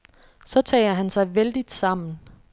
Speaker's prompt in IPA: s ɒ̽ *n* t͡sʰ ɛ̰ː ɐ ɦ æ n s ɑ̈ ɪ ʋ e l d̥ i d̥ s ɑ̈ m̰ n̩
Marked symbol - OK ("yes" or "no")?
no